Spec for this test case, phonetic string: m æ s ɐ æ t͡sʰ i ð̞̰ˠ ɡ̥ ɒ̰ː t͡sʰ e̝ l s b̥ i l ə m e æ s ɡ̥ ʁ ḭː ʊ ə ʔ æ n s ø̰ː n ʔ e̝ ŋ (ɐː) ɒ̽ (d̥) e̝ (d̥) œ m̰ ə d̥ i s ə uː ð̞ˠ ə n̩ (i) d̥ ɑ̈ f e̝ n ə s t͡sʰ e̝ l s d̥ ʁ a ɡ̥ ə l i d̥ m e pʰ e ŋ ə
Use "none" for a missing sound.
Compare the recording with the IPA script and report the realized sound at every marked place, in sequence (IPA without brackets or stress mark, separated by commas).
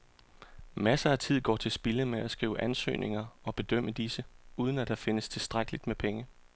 ɐ, b̥, d̥, æ